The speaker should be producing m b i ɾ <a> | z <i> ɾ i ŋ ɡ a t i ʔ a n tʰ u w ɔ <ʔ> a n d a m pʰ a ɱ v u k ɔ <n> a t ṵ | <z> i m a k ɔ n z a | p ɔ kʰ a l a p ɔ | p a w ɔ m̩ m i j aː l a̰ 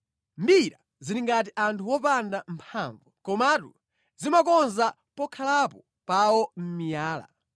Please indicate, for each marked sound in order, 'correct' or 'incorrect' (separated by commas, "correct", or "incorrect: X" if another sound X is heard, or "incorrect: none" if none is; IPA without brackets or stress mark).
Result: correct, correct, incorrect: p, incorrect: m, correct